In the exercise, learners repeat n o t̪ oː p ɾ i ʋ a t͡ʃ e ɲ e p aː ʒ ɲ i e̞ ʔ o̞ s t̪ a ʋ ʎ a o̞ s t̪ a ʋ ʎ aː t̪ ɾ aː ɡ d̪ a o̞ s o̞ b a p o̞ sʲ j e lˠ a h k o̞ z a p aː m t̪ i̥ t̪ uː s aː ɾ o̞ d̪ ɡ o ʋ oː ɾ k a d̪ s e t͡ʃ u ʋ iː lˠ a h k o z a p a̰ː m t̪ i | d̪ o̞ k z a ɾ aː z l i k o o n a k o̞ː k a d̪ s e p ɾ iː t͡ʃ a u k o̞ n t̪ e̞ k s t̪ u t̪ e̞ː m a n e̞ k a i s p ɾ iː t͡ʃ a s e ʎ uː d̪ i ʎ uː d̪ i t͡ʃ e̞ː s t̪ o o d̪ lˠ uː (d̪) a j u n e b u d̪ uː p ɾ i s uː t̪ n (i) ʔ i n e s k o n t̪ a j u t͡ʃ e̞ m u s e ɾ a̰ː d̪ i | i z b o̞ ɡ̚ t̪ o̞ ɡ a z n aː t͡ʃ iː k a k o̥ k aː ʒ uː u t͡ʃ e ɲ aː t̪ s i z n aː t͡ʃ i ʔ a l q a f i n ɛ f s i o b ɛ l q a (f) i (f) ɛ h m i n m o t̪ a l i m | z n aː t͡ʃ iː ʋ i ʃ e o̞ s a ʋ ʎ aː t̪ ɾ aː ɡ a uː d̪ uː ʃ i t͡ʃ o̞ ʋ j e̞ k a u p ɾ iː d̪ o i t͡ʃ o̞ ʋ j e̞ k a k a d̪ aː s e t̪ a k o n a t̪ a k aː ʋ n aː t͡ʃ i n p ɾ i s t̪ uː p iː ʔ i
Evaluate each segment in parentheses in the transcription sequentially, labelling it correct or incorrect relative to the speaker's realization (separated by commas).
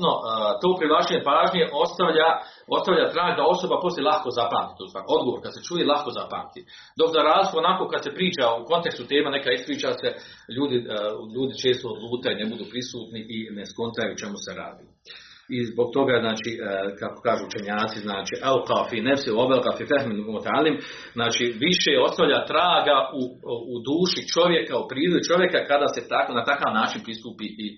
incorrect, correct, correct, correct